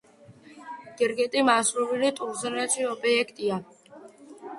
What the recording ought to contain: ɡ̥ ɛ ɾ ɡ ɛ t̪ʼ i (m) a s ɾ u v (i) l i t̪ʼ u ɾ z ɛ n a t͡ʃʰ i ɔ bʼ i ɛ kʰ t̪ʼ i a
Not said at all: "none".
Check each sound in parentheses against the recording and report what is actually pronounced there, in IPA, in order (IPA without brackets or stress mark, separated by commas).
m, i